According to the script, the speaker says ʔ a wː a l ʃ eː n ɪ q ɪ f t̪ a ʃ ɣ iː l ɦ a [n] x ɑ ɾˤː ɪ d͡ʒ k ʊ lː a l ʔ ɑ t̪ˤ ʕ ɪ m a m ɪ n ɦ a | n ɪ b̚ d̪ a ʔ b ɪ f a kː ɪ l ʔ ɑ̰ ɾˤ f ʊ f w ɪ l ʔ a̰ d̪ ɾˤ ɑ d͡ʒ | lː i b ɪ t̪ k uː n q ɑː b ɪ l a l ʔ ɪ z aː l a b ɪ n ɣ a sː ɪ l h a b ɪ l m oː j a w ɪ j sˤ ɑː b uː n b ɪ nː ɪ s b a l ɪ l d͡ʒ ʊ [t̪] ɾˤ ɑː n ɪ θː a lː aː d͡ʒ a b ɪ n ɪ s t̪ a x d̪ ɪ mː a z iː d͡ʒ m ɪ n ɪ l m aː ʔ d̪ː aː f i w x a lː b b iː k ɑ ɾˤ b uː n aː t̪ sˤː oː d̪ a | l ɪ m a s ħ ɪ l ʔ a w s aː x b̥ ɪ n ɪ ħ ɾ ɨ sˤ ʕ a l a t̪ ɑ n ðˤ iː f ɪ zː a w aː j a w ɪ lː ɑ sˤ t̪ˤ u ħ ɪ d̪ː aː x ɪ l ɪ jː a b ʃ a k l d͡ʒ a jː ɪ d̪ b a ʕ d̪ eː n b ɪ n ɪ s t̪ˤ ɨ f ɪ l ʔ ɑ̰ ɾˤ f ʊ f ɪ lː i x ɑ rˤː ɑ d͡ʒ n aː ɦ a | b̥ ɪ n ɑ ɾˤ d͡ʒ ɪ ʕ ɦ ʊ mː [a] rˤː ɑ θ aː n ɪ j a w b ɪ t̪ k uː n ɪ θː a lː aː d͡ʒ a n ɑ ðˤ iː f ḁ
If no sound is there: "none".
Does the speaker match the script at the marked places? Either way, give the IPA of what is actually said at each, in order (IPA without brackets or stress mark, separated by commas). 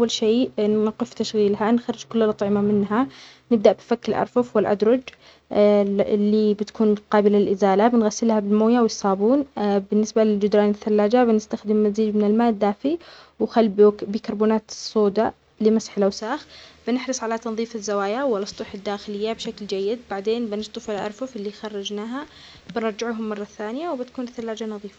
n, d̪, ɑ